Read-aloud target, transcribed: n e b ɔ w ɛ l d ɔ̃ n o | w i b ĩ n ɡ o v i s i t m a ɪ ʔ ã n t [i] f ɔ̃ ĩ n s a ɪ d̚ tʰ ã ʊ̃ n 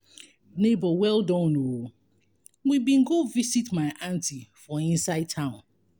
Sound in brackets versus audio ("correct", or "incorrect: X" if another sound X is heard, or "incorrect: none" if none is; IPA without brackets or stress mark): correct